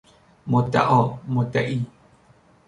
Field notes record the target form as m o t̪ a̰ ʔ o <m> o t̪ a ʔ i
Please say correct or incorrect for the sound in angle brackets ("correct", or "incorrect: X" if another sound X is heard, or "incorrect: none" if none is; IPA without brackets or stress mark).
correct